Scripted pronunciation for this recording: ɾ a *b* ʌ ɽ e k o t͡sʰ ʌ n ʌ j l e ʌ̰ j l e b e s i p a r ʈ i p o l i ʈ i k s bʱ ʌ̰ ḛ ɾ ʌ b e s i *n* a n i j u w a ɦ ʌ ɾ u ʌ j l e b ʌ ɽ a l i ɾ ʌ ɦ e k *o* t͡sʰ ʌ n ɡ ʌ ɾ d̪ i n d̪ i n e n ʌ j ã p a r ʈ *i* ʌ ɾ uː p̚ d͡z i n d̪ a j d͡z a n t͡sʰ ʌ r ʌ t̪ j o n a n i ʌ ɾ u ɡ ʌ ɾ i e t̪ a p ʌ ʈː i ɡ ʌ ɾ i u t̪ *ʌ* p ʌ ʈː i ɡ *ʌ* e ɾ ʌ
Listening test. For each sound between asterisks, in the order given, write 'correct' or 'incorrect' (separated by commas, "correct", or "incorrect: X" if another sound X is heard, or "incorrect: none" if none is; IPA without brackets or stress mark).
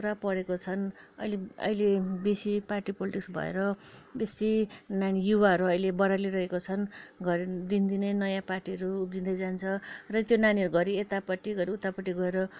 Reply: incorrect: p, correct, correct, correct, incorrect: a, correct